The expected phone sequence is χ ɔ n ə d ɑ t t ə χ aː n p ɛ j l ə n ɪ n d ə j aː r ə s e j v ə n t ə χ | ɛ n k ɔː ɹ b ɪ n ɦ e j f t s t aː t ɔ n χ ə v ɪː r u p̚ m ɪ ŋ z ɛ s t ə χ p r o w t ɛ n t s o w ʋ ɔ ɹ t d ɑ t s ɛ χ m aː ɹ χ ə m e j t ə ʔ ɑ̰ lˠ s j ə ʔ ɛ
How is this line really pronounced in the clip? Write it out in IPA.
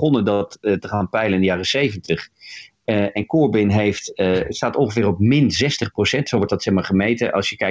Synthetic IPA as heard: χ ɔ n ə d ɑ t t ə χ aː n p ɛ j l ə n ɪ n d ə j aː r ə s e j v ə n t ə χ | ɛ n k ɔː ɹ b ɪ n ɦ e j f t s t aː t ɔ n χ ə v ɪː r ɔ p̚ m ɪ n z ɛ s t ə χ p r o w s ɛ n t s o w ʋ ɔ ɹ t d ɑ t s ɛ χ m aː ɹ χ ə m e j t ə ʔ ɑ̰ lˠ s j ə k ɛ